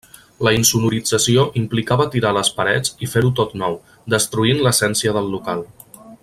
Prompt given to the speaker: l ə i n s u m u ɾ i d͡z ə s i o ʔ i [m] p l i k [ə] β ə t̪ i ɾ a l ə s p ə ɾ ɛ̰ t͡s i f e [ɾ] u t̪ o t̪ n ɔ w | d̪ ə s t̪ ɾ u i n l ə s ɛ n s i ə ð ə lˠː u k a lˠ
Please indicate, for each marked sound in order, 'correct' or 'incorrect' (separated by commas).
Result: correct, incorrect, correct